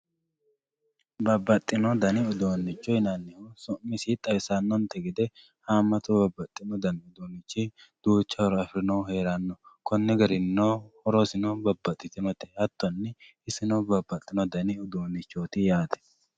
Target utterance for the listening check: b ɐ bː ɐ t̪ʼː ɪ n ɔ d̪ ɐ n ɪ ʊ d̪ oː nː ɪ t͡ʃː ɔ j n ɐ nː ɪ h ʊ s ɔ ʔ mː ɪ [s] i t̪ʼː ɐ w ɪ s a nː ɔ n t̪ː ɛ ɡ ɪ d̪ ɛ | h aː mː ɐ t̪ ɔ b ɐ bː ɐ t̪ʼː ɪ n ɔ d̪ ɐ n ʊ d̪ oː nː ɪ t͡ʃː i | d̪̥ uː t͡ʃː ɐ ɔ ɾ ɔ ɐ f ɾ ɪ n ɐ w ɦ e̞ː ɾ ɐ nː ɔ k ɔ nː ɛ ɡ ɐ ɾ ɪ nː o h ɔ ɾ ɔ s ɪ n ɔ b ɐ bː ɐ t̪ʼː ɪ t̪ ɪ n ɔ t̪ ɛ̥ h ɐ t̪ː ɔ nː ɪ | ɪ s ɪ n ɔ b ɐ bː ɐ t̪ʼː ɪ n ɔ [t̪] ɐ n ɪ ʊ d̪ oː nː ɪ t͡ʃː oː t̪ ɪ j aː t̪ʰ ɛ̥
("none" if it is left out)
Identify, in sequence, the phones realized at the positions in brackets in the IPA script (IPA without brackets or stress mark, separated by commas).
s, d̪